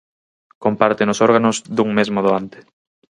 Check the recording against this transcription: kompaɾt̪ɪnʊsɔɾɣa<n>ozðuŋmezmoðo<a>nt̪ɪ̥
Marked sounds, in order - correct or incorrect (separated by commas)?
correct, correct